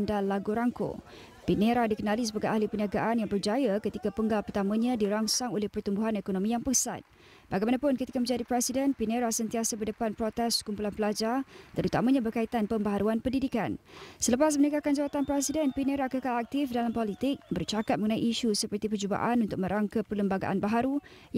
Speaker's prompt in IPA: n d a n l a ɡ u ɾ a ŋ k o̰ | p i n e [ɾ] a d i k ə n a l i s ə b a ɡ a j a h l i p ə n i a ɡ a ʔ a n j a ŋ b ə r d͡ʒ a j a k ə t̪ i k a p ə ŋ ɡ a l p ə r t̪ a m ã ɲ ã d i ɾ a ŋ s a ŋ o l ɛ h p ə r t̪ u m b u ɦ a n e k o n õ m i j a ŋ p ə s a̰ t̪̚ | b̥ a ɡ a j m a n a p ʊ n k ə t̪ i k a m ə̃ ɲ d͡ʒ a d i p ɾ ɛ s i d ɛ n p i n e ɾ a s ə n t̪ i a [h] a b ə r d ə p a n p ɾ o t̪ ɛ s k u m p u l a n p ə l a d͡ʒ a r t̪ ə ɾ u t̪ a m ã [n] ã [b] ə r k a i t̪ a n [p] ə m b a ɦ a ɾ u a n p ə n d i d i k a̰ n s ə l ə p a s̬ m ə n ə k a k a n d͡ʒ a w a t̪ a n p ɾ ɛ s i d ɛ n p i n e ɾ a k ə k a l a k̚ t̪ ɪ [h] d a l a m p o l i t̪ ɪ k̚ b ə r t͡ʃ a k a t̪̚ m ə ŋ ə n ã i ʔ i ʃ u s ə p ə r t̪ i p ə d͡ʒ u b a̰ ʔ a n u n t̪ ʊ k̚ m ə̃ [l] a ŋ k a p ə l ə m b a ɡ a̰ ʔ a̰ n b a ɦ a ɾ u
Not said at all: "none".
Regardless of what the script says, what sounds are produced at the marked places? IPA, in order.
ɾ, s, ɲ, b, p, f, ɾ

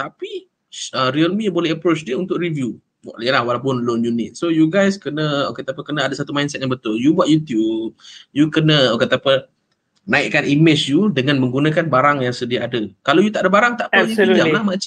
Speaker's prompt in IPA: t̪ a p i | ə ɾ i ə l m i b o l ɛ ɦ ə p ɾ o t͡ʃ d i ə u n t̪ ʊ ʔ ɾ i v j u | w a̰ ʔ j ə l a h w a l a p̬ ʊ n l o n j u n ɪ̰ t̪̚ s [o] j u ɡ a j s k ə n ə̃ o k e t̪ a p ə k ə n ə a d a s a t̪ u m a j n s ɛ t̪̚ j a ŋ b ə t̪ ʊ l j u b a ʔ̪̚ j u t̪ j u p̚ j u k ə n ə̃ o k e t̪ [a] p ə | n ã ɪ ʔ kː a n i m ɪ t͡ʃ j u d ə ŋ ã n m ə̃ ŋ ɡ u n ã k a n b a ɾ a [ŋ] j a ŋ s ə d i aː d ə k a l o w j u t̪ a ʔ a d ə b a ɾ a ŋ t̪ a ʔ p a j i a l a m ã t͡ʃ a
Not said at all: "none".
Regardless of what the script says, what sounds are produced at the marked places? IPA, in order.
o, a, ŋ

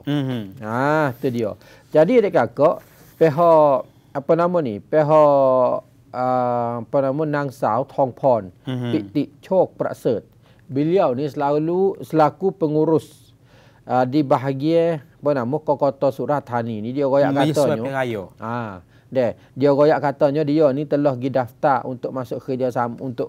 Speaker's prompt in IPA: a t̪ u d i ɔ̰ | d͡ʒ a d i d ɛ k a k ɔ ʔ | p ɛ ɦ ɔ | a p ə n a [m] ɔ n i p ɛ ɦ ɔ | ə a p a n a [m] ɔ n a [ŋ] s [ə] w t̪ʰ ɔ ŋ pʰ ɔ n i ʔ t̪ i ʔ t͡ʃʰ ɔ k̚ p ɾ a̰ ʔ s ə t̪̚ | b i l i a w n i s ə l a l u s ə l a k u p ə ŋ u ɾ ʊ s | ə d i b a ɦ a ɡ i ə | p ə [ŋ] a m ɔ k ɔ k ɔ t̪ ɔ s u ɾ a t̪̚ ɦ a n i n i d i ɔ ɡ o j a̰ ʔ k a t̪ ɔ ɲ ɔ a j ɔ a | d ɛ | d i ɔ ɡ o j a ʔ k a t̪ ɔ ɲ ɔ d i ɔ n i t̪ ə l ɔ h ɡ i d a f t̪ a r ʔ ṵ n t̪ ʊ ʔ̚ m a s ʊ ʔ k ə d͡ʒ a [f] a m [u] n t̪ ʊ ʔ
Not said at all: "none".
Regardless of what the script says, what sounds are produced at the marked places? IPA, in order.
m, m, ŋ, a, n, s, u

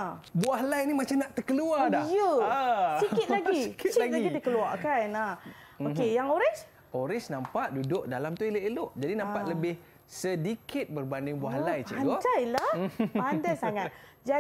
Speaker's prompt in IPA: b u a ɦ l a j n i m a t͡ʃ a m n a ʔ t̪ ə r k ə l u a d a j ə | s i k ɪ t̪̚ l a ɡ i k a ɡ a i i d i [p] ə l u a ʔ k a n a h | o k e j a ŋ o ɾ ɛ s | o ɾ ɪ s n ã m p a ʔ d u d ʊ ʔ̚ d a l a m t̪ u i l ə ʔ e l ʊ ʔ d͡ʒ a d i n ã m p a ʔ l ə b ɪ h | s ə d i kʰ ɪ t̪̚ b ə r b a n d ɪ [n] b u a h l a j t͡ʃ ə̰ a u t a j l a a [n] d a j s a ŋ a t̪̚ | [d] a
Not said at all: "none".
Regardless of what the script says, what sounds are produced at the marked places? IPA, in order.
k, ŋ, n, d͡ʒ

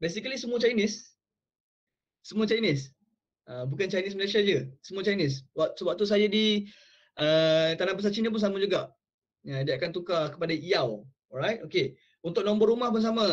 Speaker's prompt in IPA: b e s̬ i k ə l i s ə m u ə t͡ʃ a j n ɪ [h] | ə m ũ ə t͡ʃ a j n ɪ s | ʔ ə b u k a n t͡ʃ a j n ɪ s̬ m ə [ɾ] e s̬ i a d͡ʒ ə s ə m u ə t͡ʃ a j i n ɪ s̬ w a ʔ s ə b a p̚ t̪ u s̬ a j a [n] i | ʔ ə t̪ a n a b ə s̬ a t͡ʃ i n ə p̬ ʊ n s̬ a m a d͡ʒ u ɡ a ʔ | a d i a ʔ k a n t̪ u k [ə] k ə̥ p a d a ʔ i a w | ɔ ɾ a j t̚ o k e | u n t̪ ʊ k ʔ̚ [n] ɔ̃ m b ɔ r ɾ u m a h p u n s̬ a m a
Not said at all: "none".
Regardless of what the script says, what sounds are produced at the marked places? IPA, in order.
s, l, d, a, n

